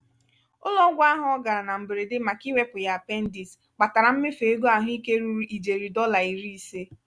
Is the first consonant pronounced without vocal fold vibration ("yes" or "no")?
no